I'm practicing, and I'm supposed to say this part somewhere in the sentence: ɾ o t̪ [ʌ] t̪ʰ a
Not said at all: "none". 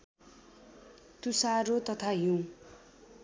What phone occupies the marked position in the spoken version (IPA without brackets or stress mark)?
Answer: ʌ